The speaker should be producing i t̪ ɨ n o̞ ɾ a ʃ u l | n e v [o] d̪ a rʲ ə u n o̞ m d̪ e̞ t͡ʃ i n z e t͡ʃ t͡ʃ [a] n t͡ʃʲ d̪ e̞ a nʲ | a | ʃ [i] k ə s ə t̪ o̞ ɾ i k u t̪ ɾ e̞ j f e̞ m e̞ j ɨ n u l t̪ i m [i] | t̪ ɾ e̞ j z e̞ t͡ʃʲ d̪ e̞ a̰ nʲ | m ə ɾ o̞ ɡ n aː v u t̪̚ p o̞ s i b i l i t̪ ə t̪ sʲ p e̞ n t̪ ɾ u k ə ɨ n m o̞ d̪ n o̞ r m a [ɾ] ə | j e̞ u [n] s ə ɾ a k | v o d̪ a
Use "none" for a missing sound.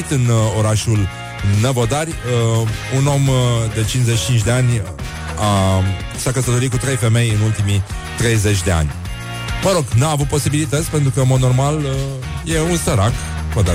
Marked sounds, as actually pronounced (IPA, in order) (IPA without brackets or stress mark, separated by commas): o, i, a, i, l, n